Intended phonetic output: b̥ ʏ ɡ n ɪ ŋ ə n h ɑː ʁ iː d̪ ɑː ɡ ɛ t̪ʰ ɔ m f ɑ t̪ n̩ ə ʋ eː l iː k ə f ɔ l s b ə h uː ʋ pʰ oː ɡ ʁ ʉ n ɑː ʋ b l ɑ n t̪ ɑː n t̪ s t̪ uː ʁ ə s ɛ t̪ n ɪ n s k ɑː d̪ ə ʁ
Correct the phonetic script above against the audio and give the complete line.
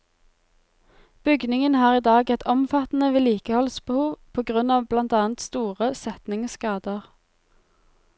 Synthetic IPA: b̥ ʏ ɡ n ɪ ŋ ə n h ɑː ʁ iː d̪ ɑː ɡ ɛ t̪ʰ ɔ m f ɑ t̪ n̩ ə ʋ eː l iː k ə h ɔ l s b ə h uː ʋ pʰ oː ɡ ʁ ʉ n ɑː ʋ b l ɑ n t̪ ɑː n t̪ s t̪ uː ʁ ə s ɛ t̪ n ɪ ŋ s k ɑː d̪ ə ʁ